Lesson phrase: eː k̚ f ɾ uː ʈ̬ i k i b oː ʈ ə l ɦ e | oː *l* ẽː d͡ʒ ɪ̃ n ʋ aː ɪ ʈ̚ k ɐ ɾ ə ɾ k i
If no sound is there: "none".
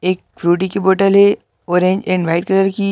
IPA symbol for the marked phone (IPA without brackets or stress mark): ɾ